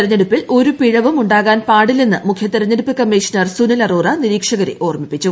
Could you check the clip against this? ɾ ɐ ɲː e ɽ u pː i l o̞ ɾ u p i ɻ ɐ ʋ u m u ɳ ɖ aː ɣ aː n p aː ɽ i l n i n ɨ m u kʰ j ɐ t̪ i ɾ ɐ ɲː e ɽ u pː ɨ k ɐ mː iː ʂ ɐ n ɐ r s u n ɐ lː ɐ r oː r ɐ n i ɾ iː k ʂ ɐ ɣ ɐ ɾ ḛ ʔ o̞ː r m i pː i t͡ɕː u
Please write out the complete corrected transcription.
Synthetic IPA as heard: ɾ ɐ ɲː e ɽ u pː i l o̞ ɾ u p i ɻ ɐ ʋ u m u ɳ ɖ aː ɣ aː n p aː ɽ i l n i nː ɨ m u kʰ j ɐ t̪ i ɾ ɐ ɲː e ɽ u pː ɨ k ɐ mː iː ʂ ɐ n ɐ r s u n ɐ l ɐ r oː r ɐ n i ɾ iː k ʂ ɐ ɣ ɐ ɾ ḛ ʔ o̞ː r m i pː i t͡ɕː u